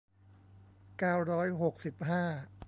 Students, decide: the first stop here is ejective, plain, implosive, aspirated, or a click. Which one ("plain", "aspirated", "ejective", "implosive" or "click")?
plain